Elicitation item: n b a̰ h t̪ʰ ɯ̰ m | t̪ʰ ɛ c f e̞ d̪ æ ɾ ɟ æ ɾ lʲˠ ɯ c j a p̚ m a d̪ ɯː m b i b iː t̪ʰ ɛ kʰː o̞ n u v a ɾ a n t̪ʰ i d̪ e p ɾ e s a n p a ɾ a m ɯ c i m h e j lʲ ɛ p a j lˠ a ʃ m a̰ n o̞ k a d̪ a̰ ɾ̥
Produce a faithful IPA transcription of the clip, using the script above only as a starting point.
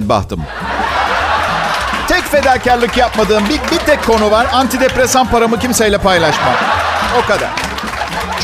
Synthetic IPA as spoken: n b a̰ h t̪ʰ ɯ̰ m | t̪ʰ ɛ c f e̞ d̪ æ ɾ c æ ɾ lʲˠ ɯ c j a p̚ m a d̪ ɯː m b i b i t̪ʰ ɛ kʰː o̞ n u v a ɾ a n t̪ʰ i d̪ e p ɾ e s a n p a ɾ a m ɯ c i m s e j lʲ ɛ p a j lˠ a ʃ m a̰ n o̞ k a d̪ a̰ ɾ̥